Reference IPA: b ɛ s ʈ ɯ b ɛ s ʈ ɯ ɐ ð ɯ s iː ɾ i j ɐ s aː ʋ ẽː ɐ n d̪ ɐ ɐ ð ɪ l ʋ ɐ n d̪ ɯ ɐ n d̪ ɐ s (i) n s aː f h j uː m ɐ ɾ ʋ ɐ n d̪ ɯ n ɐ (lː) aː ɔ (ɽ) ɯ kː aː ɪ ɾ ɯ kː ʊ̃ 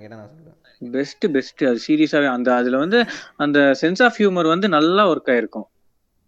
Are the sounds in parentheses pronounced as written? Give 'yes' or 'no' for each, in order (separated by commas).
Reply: no, yes, no